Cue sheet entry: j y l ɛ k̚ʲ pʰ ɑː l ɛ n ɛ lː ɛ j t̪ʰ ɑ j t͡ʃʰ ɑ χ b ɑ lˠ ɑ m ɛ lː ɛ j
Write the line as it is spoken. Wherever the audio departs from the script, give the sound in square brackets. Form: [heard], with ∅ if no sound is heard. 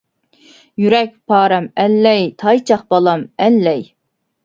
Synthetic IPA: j y [ɾ] ɛ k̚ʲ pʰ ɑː [ɾ] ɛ [m] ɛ lː ɛ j t̪ʰ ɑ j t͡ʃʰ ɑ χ b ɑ lˠ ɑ m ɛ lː ɛ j